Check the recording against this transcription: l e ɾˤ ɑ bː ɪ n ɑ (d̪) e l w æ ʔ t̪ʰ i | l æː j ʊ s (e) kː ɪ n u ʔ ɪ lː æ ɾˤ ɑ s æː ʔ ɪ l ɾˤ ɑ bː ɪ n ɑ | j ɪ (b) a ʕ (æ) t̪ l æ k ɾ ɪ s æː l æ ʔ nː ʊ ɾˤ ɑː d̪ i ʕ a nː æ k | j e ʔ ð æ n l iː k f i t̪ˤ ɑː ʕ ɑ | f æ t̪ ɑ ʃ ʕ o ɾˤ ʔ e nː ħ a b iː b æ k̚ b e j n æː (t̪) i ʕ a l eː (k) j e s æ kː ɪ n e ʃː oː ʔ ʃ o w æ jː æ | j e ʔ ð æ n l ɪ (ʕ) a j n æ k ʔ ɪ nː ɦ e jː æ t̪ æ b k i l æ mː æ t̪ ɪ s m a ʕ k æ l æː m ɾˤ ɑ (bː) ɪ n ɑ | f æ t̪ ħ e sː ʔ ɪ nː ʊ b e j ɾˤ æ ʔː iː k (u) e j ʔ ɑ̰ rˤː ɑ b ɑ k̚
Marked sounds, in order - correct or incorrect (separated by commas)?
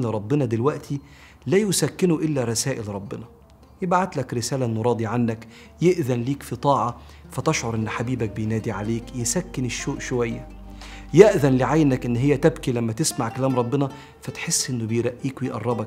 correct, incorrect, correct, incorrect, incorrect, correct, correct, correct, incorrect